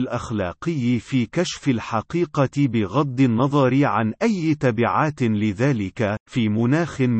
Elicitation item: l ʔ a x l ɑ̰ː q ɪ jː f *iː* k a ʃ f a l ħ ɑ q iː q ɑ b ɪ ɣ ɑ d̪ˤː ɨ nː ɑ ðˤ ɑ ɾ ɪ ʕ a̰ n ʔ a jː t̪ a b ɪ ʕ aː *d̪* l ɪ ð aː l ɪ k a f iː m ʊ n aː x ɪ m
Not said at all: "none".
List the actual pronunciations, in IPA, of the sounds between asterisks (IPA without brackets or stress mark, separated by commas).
iː, t̪